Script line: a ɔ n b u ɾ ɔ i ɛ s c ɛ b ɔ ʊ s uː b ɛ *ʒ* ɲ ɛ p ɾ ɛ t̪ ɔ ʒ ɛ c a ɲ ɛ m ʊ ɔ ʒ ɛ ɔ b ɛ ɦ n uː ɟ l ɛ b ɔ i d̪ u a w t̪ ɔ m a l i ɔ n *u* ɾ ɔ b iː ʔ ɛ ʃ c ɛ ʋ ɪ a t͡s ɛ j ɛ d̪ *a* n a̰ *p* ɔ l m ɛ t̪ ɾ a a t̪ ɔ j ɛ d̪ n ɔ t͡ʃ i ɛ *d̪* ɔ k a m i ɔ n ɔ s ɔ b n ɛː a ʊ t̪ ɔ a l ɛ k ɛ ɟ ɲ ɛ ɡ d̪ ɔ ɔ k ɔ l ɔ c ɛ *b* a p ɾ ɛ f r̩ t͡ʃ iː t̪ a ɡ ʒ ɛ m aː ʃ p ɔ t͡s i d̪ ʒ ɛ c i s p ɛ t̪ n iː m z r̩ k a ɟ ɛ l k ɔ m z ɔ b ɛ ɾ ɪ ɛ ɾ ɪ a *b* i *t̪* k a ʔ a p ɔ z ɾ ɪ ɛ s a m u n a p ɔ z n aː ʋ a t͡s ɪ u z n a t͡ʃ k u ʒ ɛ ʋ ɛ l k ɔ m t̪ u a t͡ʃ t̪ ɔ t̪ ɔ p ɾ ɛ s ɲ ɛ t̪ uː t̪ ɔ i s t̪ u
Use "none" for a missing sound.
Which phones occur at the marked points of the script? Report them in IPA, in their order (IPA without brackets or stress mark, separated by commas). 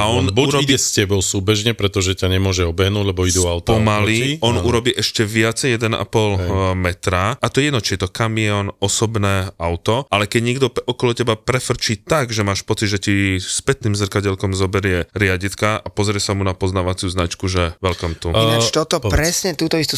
ʒ, u, ɛ, p, t̪, b, ɟ, t̪